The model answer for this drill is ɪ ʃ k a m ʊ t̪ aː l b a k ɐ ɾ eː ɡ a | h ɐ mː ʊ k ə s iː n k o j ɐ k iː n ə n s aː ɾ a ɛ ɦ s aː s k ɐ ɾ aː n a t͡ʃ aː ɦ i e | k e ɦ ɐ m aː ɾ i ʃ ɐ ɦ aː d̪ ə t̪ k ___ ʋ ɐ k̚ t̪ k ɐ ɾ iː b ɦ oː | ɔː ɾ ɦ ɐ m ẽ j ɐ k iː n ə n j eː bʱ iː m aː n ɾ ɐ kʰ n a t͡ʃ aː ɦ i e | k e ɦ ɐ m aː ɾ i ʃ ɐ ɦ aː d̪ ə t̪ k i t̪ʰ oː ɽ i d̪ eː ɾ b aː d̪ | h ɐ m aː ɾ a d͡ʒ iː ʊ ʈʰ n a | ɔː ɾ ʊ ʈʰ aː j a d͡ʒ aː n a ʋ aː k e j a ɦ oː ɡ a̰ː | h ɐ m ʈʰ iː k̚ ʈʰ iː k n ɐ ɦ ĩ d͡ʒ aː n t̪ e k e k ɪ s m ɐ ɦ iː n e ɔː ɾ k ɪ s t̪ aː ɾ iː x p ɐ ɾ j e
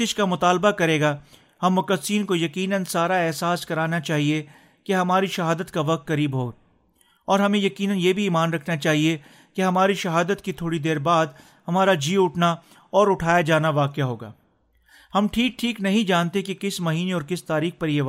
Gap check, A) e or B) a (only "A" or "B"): B